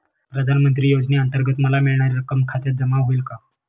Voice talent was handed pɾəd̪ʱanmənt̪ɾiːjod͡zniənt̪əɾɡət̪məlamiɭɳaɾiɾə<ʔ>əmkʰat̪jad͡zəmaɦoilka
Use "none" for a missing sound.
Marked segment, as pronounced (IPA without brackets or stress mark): k